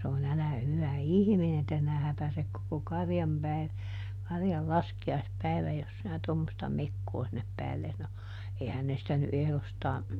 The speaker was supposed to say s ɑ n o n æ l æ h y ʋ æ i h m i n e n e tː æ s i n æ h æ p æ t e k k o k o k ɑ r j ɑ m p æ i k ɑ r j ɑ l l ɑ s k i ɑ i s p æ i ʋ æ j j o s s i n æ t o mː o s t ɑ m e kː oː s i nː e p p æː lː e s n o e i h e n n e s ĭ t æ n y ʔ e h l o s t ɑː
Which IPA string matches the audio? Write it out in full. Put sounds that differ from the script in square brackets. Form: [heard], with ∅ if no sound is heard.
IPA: s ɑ n o n æ l æ h y ʋ æ i h m i n e n e tː æ s i n æ h æ p æ [s] e k k o k o k ɑ r j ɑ m p æ i k ɑ r j ɑ l l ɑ s k i ɑ i s p æ i ʋ æ j j o s s i n æ t o mː o s t ɑ m e kː oː s i nː e p p æː lː e s n o e i h [æ] n n e s ĭ t æ n y ʔ e h l o s t ɑː